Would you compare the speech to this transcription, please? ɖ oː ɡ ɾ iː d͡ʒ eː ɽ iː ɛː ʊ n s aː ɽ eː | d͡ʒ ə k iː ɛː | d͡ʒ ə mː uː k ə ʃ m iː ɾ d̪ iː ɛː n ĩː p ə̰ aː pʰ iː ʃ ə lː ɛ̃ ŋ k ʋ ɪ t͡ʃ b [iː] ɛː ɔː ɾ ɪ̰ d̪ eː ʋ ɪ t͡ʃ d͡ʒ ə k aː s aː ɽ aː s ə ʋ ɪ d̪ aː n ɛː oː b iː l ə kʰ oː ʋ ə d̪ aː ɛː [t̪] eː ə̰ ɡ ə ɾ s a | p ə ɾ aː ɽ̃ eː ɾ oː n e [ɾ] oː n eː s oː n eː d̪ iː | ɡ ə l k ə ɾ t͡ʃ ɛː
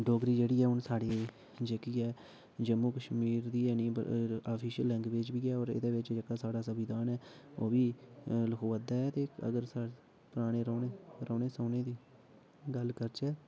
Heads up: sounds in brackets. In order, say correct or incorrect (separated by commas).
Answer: correct, correct, correct